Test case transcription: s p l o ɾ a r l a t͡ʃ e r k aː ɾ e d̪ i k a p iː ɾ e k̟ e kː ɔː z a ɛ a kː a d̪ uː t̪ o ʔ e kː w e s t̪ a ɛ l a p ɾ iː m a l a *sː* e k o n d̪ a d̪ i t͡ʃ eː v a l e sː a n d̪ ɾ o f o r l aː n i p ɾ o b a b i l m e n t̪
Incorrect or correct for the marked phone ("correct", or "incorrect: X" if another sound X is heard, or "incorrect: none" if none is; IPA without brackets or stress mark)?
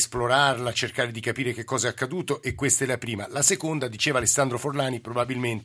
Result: incorrect: s